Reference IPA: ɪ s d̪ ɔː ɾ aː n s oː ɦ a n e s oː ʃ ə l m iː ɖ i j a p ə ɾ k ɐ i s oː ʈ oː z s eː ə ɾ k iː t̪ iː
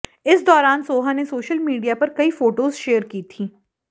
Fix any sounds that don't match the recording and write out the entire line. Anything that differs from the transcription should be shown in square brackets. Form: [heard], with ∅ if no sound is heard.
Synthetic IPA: ɪ s d̪ ɔː ɾ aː n s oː ɦ a n e s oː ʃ ə l m iː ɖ i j a p [ɐ] ɾ k ɐ i [f] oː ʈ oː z [ʃ] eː ə ɾ k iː [t̪ʰ] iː